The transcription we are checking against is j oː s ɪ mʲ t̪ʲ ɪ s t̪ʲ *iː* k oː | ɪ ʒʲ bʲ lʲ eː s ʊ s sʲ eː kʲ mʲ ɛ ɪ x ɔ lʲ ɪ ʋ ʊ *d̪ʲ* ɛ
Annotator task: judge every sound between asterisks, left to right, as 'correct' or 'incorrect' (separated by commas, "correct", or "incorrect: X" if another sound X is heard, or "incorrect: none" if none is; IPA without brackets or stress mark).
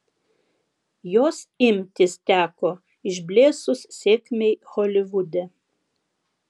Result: incorrect: æː, correct